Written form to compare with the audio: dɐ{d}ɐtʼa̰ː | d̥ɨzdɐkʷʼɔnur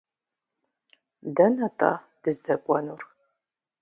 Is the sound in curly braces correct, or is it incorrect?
incorrect